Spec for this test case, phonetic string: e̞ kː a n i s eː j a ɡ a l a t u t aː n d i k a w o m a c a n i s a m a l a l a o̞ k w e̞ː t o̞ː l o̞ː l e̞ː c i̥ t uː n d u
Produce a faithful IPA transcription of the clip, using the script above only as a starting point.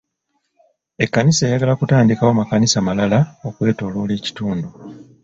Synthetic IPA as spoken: e̞ kː a n i s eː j a ɡ a l a k u t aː n d i k a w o m a k a n i s a m a l a l a o̞ k w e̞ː t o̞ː l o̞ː l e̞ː c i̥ t uː n d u